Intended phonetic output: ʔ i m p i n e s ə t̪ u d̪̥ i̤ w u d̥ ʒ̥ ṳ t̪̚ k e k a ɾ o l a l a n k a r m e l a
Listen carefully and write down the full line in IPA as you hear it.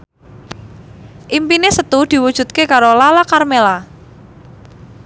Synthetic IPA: ʔ i m p i n e s ə t̪ u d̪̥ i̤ w u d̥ ʒ̥ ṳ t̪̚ k e k a ɾ o l a l a k a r m e l a